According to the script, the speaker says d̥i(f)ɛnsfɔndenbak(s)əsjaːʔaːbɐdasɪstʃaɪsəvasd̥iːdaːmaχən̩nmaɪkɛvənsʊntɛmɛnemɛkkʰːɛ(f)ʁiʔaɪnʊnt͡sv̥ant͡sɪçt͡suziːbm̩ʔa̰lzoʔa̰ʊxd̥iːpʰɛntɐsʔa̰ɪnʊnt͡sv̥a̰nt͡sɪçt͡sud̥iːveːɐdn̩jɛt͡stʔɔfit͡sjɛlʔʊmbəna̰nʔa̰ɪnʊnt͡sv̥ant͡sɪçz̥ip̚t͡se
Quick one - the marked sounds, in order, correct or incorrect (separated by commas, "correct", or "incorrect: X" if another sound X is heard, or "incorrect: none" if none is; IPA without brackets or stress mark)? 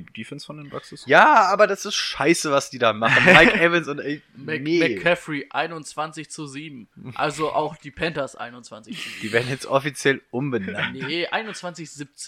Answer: correct, correct, correct